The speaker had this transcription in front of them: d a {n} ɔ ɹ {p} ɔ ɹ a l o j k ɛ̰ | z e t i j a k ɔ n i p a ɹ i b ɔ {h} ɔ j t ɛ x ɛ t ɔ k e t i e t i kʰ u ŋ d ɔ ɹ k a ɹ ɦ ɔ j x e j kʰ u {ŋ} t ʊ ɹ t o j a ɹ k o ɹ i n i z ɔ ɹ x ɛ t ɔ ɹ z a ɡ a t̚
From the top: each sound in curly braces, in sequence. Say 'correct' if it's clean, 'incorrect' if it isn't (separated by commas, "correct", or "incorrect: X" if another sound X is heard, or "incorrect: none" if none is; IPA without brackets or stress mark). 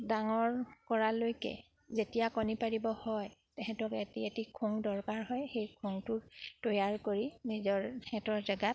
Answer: incorrect: ŋ, incorrect: k, correct, correct